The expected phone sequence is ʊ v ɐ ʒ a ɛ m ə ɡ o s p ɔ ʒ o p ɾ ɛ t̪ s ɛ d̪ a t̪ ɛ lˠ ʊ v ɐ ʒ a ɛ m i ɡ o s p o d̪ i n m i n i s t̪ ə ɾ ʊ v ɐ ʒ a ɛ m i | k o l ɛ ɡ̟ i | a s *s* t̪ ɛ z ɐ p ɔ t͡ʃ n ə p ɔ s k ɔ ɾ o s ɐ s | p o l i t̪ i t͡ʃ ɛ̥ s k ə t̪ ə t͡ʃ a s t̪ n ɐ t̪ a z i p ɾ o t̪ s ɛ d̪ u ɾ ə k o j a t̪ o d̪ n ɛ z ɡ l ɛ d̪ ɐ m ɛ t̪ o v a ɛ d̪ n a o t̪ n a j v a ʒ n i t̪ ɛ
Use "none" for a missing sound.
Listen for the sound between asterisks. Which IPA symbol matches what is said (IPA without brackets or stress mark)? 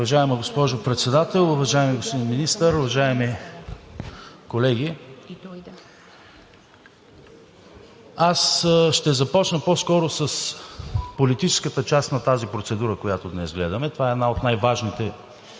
ʃ